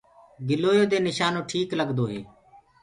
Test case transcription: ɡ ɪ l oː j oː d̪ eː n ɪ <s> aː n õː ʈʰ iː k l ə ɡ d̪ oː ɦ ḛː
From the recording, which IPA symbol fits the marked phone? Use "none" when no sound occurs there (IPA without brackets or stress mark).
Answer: ʃ